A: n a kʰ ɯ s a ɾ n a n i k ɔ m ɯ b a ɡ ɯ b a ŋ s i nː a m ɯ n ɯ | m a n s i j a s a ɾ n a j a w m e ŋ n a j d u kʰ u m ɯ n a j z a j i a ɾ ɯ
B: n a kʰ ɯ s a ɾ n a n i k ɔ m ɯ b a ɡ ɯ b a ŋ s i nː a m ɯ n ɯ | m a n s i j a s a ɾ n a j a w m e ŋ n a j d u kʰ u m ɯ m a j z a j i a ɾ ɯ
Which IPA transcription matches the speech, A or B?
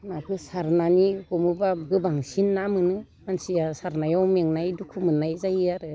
A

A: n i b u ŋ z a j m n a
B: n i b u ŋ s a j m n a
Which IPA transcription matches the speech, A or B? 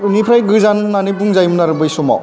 A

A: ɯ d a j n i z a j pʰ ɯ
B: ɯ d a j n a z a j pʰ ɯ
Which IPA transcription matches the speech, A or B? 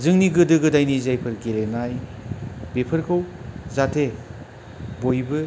A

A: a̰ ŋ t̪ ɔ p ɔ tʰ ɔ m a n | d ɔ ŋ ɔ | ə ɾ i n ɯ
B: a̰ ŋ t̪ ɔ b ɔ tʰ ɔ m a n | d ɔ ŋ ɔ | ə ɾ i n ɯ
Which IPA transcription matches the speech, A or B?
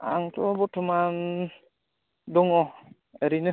B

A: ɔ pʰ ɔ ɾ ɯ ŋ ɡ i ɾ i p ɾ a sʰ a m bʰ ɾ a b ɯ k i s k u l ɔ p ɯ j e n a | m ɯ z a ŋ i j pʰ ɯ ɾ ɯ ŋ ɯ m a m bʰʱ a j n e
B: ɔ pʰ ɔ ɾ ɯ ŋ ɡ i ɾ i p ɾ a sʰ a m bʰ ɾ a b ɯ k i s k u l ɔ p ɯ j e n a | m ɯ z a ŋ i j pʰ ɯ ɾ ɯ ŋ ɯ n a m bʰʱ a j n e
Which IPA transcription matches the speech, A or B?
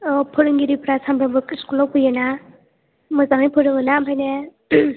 B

